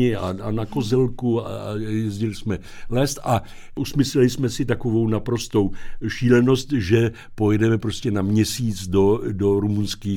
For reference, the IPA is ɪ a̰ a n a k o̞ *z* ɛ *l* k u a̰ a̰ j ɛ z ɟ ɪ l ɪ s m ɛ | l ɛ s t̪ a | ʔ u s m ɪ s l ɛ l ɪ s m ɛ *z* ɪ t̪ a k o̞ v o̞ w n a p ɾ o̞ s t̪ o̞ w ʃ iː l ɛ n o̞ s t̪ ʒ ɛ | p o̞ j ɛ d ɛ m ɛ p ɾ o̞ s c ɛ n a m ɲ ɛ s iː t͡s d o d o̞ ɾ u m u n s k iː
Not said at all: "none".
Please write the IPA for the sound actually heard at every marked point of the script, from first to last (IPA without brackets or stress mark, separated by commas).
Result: z, l, s